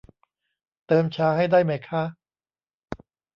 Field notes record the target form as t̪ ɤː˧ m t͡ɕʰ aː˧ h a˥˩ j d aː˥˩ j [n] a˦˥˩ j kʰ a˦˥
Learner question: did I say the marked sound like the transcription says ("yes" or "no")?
no